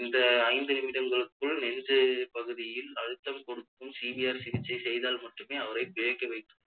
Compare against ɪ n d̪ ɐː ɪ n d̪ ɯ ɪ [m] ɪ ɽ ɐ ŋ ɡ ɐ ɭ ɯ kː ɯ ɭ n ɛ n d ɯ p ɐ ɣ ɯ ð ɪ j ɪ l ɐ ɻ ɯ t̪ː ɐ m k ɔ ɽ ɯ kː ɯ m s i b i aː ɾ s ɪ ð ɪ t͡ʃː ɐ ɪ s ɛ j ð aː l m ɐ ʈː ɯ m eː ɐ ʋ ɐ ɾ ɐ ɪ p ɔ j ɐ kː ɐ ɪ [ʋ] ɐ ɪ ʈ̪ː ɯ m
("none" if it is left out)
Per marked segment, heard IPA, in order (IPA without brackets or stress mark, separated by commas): m, ʋ